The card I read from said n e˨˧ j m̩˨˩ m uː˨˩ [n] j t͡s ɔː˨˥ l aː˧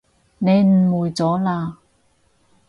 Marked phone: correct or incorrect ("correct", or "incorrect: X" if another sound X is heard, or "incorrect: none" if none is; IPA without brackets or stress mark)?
incorrect: none